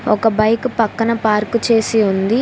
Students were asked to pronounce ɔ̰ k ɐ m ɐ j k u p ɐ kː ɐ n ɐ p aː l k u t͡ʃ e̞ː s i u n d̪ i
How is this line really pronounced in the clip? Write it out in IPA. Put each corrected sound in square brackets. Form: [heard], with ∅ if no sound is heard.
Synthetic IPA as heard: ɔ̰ k ɐ [b] ɐ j k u p ɐ kː ɐ n ɐ p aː [ɾ] k u t͡ʃ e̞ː s i u n d̪ i